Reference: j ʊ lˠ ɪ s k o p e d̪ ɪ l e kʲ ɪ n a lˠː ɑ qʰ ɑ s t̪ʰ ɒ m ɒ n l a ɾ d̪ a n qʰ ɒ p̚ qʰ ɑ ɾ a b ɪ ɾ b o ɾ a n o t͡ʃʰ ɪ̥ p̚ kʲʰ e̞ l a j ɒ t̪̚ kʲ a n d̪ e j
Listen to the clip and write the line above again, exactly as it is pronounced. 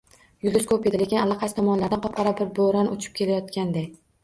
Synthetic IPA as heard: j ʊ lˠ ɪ s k o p e d̪ ɪ l e kʲ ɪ n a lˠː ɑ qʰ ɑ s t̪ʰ ɒ m ɒ n l a ɾ d̪ a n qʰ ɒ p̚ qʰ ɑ ɾ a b ɪ ɾ b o ɾ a n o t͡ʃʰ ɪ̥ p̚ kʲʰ e̞ l a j ɒ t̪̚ kʲ a n d̪ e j